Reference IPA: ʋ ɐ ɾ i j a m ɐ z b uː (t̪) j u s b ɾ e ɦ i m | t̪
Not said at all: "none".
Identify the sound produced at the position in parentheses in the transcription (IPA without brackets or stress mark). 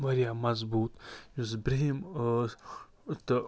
t̪